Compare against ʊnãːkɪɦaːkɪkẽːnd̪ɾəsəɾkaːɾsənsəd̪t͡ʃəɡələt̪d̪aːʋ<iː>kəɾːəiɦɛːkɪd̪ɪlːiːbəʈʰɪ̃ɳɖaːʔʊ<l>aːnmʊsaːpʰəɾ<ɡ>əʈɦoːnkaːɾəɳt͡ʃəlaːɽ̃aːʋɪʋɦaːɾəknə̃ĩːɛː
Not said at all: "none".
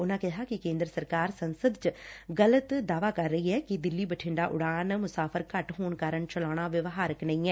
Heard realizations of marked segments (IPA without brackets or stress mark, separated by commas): aː, ɽ, k